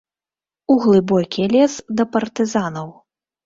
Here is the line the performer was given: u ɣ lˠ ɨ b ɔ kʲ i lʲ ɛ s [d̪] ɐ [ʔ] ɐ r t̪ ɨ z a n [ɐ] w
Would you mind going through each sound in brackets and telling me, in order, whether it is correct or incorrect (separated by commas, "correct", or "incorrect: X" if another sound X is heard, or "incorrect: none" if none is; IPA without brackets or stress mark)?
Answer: correct, incorrect: p, correct